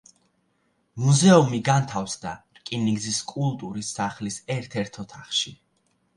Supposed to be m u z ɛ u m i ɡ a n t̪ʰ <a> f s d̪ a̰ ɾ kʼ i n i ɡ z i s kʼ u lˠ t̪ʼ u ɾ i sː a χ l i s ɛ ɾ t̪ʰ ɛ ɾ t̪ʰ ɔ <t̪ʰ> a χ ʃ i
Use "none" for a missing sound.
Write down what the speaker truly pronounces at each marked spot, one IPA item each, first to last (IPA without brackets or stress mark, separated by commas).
a, t̪ʰ